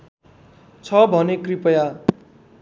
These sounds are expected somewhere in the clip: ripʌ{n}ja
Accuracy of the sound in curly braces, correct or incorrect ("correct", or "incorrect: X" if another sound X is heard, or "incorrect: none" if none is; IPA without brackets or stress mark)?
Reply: incorrect: none